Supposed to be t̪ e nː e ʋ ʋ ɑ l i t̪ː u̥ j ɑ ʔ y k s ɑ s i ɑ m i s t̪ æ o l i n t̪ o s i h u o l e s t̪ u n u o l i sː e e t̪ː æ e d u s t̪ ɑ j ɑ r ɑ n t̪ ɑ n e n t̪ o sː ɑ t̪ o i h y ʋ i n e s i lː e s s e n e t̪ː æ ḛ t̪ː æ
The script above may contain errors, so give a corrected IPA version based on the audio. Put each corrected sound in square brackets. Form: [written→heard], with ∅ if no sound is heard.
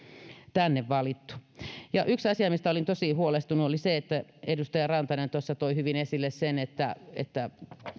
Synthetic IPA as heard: t̪ [e→æ] nː e ʋ ʋ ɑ l i t̪ː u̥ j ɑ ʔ y k s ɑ s i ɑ m i s t̪ æ o l i n t̪ o s i h u o l e s t̪ u n u o l i [sː→s] e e t̪ː æ e d u s t̪ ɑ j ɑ r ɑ n t̪ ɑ n e n t̪ o sː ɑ t̪ o i h y ʋ i n e s i lː e s s e n e t̪ː æ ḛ t̪ː æ

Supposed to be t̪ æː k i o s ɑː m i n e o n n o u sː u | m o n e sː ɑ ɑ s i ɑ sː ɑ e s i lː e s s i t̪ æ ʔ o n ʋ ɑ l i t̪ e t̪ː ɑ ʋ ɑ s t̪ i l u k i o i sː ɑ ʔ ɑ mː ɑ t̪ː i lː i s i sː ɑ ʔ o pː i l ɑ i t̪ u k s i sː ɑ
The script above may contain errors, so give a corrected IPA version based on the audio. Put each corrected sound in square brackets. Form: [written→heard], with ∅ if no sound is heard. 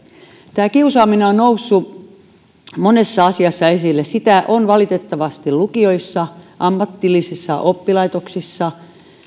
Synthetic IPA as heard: t̪ æː k i [o→u] s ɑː m i n e o n n o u sː u | m o n e sː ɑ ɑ s i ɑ sː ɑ e s i lː e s s i t̪ æ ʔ o n ʋ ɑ l i t̪ e t̪ː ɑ ʋ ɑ s t̪ i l u k i o i sː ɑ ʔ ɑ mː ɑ t̪ː i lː i s i sː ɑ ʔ o pː i l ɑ i t̪ [u→o] k s i sː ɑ

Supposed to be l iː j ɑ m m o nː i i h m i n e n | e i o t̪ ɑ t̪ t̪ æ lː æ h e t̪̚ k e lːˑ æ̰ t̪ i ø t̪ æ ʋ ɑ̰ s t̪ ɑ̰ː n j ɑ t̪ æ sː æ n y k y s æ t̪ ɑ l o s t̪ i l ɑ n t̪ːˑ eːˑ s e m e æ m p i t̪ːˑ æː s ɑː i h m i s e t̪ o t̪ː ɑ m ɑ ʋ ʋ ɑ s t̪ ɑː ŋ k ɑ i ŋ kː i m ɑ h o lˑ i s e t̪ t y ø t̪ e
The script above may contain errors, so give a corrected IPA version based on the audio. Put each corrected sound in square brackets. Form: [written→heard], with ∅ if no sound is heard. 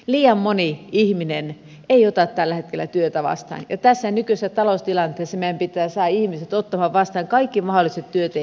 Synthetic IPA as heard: l iː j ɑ m m o [nː→n] i i h m i n e n | e i o t̪ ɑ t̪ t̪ æ lː æ h e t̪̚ k e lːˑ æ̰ t̪ [i→y] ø t̪ æ ʋ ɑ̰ s t̪ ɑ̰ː n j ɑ t̪ æ sː æ n y k y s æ t̪ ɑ l o s t̪ i l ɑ n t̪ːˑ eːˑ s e m e æ m p i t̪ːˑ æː s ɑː i h m i s e t̪ o t̪ː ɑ m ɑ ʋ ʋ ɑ s t̪ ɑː ŋ k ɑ i [ŋ→∅] kː i m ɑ h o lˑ i s e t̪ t y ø t̪ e

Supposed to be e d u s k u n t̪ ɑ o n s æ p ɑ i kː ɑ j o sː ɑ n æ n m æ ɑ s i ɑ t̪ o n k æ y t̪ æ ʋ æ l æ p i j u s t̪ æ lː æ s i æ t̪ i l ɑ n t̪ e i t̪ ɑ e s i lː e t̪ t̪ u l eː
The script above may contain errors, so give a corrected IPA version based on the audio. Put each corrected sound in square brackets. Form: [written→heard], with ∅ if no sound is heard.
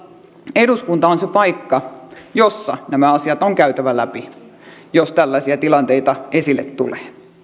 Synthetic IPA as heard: e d u s k u n t̪ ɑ o n s [æ→e] p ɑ i kː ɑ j o sː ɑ n æ [n→∅] m æ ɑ s i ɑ t̪ o [n→ŋ] k æ y t̪ æ ʋ æ l æ p i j [u→o] s t̪ æ lː æ s i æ t̪ i l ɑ n t̪ e i t̪ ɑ e s i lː e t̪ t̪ u l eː

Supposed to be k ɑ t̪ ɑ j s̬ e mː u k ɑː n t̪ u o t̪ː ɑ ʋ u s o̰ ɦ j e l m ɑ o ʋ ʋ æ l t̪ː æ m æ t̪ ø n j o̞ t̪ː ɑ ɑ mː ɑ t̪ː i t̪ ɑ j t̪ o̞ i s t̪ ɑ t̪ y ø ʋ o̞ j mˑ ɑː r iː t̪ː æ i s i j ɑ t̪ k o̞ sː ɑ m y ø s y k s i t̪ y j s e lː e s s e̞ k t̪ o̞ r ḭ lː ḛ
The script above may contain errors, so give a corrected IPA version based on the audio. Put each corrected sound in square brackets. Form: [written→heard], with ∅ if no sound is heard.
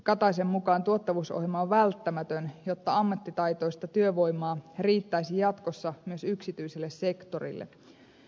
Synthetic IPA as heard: k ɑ t̪ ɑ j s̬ e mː u k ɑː n t̪ u o t̪ː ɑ ʋ u s o̰ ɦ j e l m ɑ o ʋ ʋ æ l t̪ː æ m æ t̪ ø n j o̞ t̪ː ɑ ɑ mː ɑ t̪ː i t̪ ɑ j t̪ o̞ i s t̪ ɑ t̪ y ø ʋ o̞ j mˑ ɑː r iː t̪ː æ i s i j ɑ t̪ k o̞ sː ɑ m y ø s y k s i t̪ y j s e lː e s s e̞ k t̪ o̞ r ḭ lː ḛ

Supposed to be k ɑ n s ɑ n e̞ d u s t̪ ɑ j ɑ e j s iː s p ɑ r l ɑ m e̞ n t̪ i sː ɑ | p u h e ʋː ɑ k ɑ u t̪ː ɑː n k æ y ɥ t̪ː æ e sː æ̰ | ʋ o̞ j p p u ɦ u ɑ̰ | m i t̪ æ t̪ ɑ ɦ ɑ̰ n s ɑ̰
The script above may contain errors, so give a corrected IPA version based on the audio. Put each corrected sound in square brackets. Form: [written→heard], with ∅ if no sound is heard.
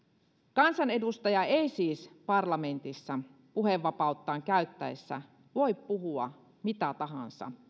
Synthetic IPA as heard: k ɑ n s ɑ n e̞ d u s t̪ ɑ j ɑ e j s iː s p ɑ r l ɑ m e̞ n t̪ i sː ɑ | p u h e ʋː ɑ [k→p] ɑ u t̪ː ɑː [n→ŋ] k æ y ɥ t̪ː æ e sː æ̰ | ʋ o̞ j p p u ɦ u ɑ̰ | m i t̪ æ t̪ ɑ ɦ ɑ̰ n s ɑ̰

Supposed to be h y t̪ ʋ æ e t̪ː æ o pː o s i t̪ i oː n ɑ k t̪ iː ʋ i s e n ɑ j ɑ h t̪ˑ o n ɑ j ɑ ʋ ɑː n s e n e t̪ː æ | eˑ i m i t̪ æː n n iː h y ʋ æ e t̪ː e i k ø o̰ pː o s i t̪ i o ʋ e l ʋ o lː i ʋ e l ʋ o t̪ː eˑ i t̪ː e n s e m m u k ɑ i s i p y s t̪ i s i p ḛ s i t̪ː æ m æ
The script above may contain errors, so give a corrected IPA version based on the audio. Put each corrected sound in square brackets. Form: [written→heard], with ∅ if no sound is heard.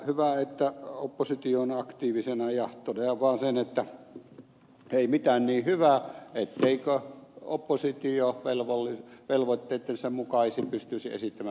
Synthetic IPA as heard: h y [t̪→∅] ʋ æ e t̪ː æ o pː o s i t̪ i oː n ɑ k t̪ iː ʋ i s e n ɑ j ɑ h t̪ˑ o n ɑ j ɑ ʋ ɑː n s e n e t̪ː æ | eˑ i m i t̪ æː n n iː h y ʋ æ e t̪ː e i k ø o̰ pː o s i t̪ i o ʋ e l ʋ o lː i ʋ e l ʋ o t̪ː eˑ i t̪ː e n s e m m u k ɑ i s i p y s t̪ [i→y] s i [p→∅] ḛ s i t̪ː æ m æ

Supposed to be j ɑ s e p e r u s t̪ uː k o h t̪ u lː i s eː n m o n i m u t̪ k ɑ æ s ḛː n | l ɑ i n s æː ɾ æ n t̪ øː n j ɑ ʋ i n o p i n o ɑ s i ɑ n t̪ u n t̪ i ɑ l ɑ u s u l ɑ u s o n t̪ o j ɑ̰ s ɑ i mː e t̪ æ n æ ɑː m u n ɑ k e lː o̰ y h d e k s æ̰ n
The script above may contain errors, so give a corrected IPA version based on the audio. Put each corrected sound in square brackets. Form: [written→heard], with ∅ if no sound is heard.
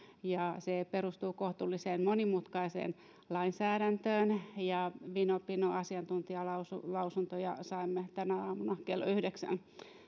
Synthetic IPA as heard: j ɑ s e p e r u s t̪ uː k o h t̪ u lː i s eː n m o n i m u t̪ k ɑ [æ→i] s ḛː n | l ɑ i n s æː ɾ æ n t̪ øː n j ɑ ʋ i n o p i n o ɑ s i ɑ n t̪ u n t̪ i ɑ l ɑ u s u l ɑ u s [o→u] n t̪ o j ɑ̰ s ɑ i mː e t̪ æ n æ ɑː m u n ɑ k e lː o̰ y h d e k s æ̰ n

